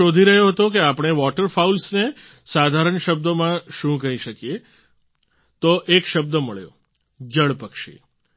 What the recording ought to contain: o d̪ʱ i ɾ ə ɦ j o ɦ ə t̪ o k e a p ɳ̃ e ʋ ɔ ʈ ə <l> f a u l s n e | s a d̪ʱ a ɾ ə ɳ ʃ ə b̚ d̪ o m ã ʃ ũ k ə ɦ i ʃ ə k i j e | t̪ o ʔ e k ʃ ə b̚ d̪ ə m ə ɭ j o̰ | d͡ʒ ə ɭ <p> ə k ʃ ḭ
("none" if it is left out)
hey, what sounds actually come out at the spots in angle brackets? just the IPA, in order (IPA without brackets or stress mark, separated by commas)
ɾ, p